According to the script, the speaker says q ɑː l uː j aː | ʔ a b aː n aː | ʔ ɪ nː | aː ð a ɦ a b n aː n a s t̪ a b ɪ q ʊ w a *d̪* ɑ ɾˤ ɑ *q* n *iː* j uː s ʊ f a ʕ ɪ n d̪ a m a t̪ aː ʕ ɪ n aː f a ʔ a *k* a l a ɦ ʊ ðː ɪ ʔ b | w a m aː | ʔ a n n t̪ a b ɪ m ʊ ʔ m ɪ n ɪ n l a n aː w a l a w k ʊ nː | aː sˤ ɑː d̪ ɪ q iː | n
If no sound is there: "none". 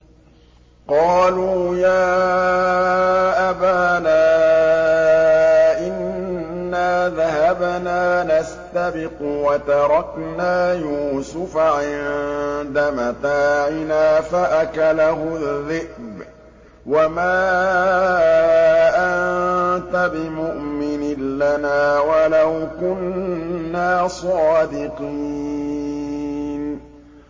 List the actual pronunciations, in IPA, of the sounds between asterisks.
t̪, k, aː, k

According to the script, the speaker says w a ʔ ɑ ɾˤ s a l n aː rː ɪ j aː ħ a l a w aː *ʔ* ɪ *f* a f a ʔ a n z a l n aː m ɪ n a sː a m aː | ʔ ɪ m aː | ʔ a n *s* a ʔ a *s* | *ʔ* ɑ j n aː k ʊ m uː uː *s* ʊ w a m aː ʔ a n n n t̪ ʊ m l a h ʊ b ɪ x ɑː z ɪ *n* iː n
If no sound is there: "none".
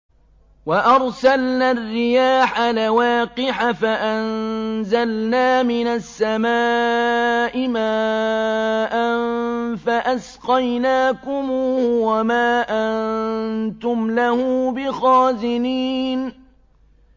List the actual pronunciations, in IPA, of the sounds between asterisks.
q, ħ, f, s, q, h, n

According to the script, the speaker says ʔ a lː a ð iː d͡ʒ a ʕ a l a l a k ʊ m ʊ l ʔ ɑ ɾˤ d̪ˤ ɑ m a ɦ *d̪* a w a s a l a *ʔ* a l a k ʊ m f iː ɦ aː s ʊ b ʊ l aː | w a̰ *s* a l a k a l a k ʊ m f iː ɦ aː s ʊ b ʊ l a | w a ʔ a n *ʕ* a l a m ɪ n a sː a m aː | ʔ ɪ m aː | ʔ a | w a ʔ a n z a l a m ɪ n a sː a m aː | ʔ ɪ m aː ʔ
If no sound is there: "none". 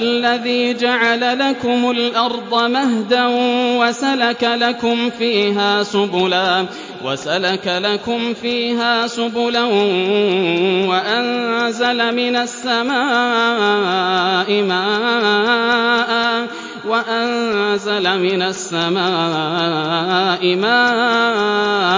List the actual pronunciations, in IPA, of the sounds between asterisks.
d̪, k, s, z

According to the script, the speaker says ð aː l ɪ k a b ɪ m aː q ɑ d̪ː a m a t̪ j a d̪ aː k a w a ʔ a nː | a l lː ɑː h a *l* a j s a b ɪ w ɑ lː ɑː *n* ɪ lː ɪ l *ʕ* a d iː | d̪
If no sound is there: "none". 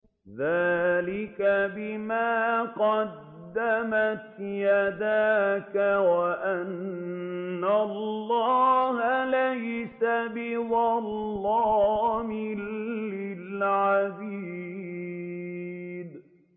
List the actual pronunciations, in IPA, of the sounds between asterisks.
l, m, ʕ

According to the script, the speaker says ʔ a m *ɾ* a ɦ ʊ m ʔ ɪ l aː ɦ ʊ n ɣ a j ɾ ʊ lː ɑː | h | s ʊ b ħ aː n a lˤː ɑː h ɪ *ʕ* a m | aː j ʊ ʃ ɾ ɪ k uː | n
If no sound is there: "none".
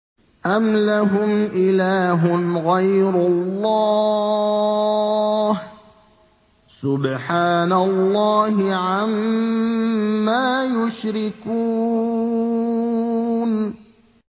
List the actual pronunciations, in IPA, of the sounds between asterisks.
l, ʕ

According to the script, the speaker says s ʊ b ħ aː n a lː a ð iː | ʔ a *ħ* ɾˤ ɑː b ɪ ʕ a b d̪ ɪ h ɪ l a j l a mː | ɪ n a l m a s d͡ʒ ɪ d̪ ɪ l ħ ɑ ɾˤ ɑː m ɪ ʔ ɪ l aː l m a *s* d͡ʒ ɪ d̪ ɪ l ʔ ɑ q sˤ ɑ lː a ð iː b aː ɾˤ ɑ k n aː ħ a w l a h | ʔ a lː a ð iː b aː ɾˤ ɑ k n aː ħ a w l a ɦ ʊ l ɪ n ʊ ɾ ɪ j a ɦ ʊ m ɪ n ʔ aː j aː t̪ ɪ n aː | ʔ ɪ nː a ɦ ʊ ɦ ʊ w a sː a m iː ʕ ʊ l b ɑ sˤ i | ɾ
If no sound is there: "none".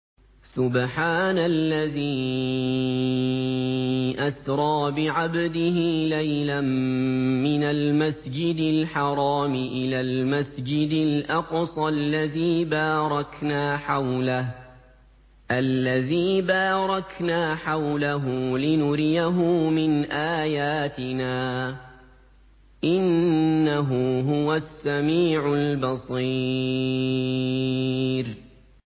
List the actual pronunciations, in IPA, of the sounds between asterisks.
s, s

